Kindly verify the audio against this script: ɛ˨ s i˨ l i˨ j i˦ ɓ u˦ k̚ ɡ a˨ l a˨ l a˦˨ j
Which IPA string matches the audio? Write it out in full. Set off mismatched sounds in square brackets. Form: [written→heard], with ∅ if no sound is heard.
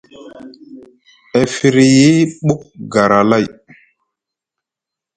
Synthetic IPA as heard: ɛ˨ [s→f] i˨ [l→ɾ] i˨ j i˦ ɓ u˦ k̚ ɡ a˨ [l→ɾ] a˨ l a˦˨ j

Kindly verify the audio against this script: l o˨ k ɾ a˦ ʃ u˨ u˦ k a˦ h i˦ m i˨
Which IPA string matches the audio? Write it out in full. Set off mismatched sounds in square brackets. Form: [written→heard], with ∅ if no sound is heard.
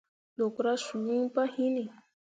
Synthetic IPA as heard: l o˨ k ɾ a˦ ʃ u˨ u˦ [k→p] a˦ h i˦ [m→n] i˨

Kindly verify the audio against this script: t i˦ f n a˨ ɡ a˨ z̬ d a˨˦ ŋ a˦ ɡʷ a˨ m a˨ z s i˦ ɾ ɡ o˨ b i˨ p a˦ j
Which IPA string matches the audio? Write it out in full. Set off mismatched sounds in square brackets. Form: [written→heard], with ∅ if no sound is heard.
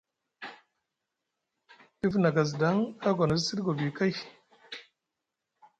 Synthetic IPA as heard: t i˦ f n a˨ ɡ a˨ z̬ d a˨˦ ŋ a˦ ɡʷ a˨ [m→n] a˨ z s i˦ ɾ ɡ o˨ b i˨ [p→k] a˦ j

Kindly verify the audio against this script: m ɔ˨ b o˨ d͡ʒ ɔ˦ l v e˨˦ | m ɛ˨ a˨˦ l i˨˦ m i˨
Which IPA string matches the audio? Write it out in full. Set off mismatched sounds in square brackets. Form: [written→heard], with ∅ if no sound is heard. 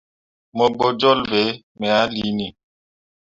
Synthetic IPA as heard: m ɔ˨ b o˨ d͡ʒ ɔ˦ l v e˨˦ | m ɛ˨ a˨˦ l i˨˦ [m→n] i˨

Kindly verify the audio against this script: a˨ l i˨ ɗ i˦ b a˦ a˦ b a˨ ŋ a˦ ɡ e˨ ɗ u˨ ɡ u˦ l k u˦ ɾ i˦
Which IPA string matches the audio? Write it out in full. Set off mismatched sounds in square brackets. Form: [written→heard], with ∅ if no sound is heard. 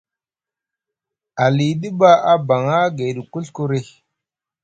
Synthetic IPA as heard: a˨ l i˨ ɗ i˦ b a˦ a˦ b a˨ ŋ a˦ ɡ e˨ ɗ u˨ [ɡ→k] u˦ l k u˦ ɾ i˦

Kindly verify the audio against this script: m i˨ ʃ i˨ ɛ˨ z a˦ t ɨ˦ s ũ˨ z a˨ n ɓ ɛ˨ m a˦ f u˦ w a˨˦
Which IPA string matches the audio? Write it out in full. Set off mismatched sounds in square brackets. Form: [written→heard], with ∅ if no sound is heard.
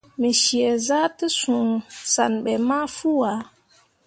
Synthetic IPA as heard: m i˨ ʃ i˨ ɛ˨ z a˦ t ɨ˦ s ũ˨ [z→s] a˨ n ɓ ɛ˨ m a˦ f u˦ w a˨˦

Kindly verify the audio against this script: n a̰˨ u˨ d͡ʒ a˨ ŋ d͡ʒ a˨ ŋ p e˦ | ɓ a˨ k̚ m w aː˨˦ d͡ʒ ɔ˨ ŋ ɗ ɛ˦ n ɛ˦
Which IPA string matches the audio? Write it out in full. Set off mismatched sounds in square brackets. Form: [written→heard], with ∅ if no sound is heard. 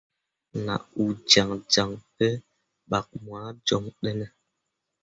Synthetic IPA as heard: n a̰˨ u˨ d͡ʒ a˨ ŋ d͡ʒ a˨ ŋ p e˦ | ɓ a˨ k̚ m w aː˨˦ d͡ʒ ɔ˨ ŋ ɗ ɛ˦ n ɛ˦

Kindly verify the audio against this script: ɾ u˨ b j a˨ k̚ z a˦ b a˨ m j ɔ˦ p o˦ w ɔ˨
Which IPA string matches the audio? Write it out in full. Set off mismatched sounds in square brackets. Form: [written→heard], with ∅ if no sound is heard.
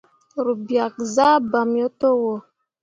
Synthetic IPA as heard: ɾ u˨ b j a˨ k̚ z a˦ b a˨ m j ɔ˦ [p→t] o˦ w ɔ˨

